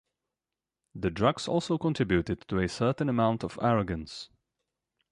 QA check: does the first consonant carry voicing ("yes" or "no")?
yes